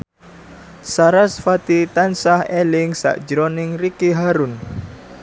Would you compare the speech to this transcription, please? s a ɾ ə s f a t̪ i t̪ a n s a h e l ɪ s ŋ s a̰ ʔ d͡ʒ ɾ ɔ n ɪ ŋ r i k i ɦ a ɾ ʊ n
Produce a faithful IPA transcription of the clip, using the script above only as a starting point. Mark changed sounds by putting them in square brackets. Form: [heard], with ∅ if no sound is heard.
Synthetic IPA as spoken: s a ɾ [a] s f a t̪ i t̪ a n s a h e l ɪ [∅] ŋ s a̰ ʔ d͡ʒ ɾ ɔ n ɪ ŋ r i k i ɦ a ɾ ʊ n